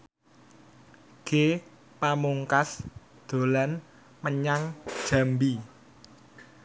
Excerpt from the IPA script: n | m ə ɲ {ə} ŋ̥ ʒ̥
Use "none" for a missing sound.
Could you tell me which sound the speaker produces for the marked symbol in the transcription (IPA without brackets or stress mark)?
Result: a